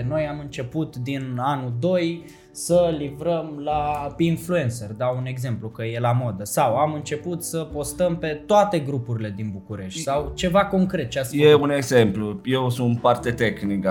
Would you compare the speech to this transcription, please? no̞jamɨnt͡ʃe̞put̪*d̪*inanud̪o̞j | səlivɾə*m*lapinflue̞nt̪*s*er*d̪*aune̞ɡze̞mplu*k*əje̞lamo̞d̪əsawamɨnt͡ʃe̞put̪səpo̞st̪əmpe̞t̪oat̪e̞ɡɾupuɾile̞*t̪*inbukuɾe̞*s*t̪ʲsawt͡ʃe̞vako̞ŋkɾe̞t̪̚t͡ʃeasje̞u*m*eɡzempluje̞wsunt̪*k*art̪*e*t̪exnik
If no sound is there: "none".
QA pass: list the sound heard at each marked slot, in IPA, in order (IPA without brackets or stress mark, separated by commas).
d̪, m, s, d̪, k, d̪, ʃ, n, p, e